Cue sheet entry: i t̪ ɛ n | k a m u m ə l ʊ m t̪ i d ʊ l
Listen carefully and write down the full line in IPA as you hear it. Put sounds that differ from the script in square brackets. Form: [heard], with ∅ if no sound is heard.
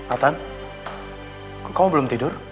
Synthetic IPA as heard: [a] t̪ [a] n | k a m u [b] ə l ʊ m t̪ i d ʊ [r]